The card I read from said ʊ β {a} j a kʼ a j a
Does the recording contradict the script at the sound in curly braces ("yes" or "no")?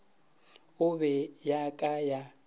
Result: yes